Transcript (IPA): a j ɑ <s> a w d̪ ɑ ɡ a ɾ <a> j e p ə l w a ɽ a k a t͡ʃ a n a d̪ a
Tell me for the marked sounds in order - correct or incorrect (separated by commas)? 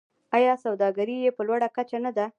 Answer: correct, incorrect